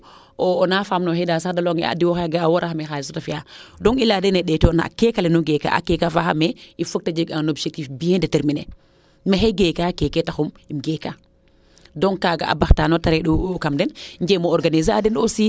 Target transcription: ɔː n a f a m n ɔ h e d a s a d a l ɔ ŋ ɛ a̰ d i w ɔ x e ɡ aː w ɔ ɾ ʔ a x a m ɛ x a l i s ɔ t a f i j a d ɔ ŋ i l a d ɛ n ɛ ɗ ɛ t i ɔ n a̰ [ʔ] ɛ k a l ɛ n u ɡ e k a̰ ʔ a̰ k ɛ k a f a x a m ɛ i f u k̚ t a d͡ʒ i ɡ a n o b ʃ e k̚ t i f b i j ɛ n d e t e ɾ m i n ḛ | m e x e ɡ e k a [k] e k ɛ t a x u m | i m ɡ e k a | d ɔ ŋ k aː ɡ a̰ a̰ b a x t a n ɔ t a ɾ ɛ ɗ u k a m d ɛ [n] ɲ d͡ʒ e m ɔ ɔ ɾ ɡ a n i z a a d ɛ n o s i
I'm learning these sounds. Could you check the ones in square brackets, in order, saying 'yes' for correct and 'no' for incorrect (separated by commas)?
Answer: no, yes, yes